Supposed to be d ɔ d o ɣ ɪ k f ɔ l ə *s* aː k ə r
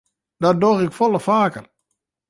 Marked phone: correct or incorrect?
incorrect